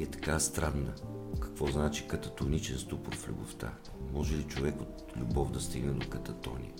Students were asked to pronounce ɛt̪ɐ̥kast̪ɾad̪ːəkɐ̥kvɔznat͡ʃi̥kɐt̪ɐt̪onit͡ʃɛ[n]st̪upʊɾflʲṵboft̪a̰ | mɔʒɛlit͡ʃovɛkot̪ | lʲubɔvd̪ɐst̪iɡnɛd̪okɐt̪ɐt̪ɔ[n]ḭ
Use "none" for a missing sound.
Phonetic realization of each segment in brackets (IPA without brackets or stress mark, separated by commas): n, n